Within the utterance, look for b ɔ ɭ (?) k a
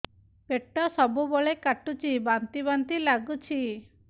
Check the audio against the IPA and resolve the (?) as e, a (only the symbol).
e